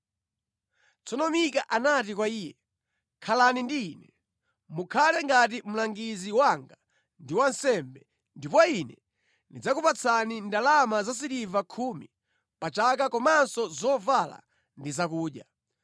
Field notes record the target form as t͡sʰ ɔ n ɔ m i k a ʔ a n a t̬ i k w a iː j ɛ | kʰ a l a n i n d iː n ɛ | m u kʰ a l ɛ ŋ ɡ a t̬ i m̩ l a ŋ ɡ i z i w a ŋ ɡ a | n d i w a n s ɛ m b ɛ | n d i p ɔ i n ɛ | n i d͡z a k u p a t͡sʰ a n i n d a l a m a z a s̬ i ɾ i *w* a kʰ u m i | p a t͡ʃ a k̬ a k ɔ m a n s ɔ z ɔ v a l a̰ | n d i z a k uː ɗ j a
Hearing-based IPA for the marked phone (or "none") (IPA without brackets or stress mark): v